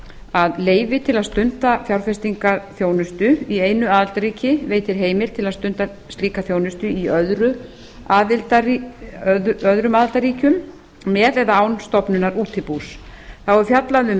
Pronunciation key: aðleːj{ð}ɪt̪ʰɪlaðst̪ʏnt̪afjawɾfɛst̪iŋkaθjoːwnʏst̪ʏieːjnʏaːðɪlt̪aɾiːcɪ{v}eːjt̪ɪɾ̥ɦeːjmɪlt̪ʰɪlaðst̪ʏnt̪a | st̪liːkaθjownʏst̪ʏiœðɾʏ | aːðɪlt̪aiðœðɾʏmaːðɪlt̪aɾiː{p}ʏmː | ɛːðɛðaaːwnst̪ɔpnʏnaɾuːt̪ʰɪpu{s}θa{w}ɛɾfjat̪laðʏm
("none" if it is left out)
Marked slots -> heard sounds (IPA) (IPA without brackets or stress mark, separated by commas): v, v, c, s, w